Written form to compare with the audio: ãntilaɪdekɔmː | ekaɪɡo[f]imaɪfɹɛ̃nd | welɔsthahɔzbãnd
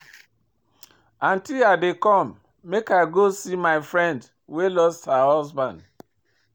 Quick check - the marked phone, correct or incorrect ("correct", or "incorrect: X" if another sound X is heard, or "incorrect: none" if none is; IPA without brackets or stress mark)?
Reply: incorrect: s